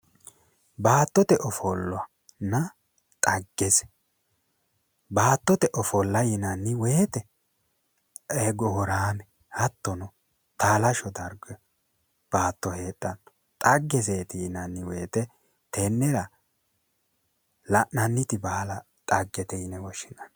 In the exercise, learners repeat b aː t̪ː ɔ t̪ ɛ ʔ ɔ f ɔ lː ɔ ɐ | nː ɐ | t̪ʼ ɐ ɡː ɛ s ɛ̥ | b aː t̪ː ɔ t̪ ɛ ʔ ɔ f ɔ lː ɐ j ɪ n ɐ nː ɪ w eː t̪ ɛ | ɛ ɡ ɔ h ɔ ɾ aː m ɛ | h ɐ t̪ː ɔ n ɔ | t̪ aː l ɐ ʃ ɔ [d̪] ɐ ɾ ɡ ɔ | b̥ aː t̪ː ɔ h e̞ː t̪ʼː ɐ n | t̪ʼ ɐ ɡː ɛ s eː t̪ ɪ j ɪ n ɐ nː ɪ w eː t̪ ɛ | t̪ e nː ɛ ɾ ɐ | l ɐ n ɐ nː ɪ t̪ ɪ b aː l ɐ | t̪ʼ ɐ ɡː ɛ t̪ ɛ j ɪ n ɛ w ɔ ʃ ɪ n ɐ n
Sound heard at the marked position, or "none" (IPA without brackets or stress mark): d̪